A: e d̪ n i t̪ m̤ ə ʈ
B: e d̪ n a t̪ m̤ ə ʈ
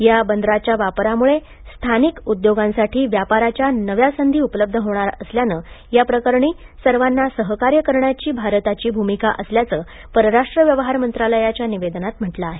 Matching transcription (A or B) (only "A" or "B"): B